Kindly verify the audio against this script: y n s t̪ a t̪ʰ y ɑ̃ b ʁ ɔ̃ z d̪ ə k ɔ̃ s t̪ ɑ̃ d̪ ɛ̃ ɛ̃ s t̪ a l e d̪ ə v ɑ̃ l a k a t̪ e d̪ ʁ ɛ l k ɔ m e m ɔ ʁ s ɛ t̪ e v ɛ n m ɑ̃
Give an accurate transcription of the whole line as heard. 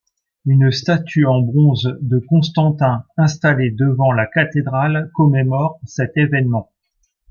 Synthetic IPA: y n s t̪ a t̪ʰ y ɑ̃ b ʁ ɔ̃ z d̪ ə k ɔ̃ s t̪ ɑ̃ t̪ ɛ̃ ɛ̃ s t̪ a l e d̪ ə v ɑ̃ l a k a t̪ e d̪ ʁ a l k ɔ m e m ɔ ʁ s ɛ t̪ e v ɛ n m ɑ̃